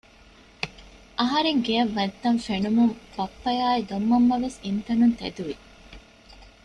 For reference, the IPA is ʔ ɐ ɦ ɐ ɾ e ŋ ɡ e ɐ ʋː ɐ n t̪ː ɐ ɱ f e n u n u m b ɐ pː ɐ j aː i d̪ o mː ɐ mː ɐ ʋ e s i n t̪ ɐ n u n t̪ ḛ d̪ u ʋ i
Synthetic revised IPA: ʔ ɐ ɦ ɐ ɾ e ŋ ɡ e ɐ ʋː ɐ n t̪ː ɐ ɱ f e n u m u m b ɐ pː ɐ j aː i d̪ o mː ɐ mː ɐ ʋ e s i n t̪ ɐ n u n t̪ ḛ d̪ u ʋ i